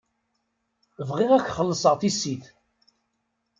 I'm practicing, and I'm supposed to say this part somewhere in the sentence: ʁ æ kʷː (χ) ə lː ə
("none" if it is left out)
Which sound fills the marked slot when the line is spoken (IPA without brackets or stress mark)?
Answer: χ